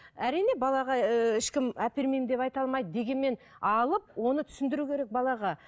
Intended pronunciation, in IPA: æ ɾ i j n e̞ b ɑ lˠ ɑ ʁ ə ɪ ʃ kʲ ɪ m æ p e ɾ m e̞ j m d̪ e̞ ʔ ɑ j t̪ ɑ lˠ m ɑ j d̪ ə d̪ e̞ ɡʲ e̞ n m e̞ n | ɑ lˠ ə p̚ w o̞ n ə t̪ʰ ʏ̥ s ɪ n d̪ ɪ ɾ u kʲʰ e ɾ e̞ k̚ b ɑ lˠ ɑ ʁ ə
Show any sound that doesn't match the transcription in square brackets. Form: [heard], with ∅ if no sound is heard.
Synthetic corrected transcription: æ ɾ i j n e̞ b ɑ lˠ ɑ ʁ [ɑ] ɪ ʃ kʲ ɪ m æ p e ɾ m e̞ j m d̪ e̞ [p] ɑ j t̪ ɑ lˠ m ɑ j d̪ ə d̪ e̞ ɡʲ e̞ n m e̞ n | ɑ lˠ ə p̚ w o̞ n ə t̪ʰ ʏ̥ s ɪ n d̪ ɪ ɾ u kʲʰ e ɾ e̞ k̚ b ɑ lˠ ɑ ʁ [ɑ]